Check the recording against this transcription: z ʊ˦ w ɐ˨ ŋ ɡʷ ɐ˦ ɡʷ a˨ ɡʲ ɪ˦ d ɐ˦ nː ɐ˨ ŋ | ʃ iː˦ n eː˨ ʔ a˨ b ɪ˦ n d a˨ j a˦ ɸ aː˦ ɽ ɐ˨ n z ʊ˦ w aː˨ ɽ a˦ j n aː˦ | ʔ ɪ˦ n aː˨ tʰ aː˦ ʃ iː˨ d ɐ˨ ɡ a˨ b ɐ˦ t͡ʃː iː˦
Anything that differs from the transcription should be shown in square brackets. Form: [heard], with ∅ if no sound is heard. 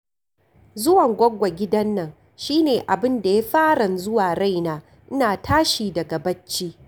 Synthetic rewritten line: z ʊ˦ w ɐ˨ ŋ ɡʷ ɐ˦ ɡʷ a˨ ɡʲ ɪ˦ d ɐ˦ nː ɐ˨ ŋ | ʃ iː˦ n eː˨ ʔ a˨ b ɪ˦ n d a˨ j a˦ ɸ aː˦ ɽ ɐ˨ n z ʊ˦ w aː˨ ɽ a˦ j n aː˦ | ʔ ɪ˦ n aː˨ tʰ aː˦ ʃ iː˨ d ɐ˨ ɡ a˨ b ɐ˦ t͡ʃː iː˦